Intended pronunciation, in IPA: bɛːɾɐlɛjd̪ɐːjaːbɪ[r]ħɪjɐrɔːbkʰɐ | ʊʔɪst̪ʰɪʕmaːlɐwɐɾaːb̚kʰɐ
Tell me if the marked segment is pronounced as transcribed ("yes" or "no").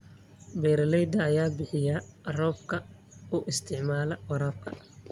no